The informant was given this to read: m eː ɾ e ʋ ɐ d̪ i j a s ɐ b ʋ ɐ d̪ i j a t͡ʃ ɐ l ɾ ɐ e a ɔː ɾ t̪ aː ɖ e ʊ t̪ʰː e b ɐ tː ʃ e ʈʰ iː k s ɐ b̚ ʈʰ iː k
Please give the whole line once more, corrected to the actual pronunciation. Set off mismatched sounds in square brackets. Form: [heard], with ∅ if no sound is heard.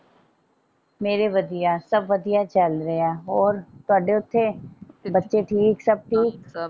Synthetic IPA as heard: m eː ɾ e ʋ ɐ d̪ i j a s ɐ b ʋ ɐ d̪ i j a t͡ʃ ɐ l ɾ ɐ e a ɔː ɾ t̪ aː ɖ e ʊ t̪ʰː e b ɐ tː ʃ e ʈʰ iː k s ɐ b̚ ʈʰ iː k